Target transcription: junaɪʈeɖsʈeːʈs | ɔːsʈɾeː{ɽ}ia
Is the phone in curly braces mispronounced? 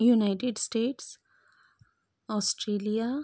yes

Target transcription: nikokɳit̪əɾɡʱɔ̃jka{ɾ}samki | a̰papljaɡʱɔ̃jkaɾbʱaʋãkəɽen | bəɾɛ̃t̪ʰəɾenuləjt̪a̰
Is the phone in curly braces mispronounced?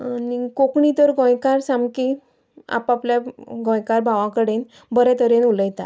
no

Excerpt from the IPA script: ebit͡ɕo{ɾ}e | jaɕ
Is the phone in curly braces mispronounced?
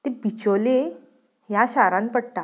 yes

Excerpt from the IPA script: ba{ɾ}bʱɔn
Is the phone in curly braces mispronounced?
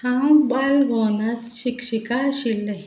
yes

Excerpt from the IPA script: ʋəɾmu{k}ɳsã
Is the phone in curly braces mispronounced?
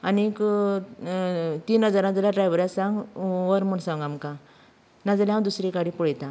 yes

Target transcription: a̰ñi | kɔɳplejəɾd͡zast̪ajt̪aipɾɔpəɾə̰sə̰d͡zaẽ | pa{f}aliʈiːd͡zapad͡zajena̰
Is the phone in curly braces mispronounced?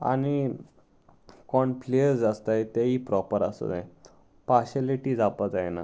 yes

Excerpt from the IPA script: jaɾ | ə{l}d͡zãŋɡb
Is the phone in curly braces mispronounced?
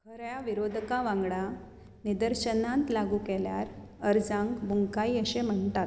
yes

